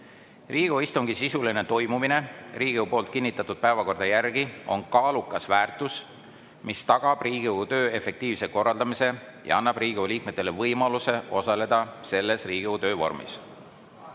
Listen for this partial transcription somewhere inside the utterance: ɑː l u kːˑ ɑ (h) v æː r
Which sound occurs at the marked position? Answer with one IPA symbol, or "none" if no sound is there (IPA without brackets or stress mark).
s